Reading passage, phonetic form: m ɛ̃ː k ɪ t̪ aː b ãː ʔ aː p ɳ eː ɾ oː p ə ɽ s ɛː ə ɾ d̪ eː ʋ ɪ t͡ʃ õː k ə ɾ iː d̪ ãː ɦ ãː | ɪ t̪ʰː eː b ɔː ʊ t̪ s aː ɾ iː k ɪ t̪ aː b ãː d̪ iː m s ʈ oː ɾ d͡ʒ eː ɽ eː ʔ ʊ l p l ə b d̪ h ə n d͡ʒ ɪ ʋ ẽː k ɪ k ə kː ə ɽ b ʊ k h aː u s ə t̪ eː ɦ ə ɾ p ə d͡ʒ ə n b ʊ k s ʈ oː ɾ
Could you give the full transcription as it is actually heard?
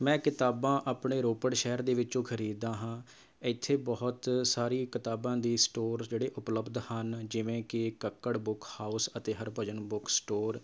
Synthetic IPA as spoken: m ɛ̃ː k ɪ t̪ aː b ãː ʔ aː p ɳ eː ɾ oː p ə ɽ ʃ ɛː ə ɾ d̪ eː ʋ ɪ t͡ʃ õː kʰ ə ɾ iː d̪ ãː ɦ ãː | ɪ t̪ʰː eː b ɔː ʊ t̪ s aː ɾ iː k ɪ t̪ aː b ãː d̪ iː s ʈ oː ɾ d͡ʒ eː ɽ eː ʔ ʊ p l ə b d̪ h ə n d͡ʒ ɪ ʋ ẽː k ɪ k ə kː ə ɽ b ʊ k h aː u s ə t̪ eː ɦ ə ɾ p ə d͡ʒ ə n b ʊ k s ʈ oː ɾ